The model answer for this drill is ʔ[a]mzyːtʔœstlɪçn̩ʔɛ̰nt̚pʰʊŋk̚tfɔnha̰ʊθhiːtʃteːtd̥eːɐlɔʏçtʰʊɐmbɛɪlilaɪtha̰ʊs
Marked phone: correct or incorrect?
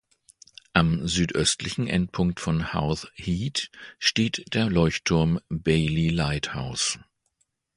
correct